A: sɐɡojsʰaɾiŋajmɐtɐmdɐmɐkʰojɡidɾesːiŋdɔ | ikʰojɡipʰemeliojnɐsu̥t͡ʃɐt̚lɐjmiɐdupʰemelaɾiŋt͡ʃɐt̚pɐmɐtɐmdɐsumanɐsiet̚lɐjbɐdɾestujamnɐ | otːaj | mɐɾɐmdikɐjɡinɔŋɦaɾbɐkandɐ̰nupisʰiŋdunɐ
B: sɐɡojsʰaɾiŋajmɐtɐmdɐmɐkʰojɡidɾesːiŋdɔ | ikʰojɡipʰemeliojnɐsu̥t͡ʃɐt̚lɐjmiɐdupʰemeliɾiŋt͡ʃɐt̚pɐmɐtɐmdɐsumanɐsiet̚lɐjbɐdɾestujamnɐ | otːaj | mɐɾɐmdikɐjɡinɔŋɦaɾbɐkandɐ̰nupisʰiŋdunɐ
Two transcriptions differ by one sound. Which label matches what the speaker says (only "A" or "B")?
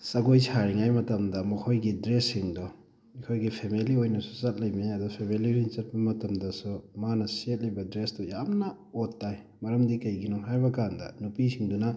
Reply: B